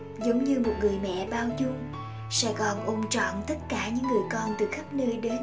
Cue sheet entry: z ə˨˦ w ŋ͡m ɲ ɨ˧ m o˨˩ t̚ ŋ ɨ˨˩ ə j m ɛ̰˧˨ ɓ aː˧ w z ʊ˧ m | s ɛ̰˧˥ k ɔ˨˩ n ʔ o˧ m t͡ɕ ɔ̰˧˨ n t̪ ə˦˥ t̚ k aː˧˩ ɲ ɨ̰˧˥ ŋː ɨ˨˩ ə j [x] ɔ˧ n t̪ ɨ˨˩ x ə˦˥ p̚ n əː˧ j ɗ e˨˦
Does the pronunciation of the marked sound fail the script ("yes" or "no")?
yes